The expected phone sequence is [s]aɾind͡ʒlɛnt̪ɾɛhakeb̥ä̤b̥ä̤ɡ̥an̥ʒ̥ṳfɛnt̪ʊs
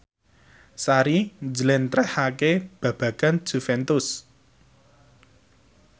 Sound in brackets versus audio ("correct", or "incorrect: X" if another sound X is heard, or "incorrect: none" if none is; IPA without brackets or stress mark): correct